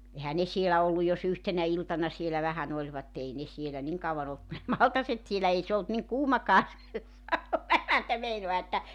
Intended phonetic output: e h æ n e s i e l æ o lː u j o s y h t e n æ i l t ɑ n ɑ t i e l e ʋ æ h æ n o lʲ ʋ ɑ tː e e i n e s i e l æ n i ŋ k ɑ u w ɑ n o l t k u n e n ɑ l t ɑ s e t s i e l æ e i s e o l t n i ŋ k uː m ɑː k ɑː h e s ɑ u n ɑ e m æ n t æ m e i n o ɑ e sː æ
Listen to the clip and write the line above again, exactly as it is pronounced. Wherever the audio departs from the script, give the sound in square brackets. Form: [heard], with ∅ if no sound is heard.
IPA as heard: e h æ n e s i e l æ o lː u j o s y h t e n æ i l t ɑ n ɑ [s] i e l [æ] ʋ æ h æ n o lʲ ʋ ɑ tː e e i n e s i e l æ n i ŋ k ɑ u w ɑ n o l t k u n e [m] ɑ l t ɑ s e t s i e l æ e i s e o l t n i ŋ k uː m [ɑ] k ɑː [s] e s ɑ u n ɑ e m æ n t æ m e i n o ɑ e [tː] æ